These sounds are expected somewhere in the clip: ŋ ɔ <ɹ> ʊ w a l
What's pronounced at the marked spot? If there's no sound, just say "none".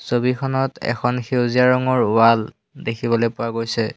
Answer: ɹ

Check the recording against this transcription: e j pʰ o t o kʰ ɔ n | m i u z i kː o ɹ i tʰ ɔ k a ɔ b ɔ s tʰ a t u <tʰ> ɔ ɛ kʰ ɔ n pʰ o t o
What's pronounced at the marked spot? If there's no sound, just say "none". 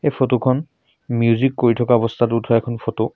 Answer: tʰ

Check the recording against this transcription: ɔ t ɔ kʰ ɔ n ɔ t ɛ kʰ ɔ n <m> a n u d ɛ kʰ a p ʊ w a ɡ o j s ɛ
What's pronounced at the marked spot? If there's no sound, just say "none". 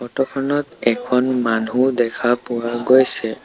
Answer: m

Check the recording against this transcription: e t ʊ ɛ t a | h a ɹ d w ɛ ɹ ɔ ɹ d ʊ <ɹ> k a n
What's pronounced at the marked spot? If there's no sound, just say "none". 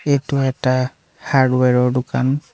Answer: none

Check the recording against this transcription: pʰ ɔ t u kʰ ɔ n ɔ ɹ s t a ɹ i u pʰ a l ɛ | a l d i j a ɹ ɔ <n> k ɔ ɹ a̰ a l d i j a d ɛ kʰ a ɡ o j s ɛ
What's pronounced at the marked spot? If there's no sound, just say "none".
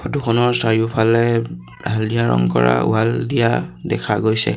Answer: ŋ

